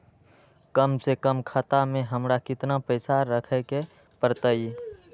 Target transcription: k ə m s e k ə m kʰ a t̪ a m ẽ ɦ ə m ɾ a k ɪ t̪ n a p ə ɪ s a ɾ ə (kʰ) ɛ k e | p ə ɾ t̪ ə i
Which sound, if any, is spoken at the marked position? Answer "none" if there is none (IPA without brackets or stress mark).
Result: kʰ